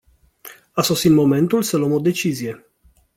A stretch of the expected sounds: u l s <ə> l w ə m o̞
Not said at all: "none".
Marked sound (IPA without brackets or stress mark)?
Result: ə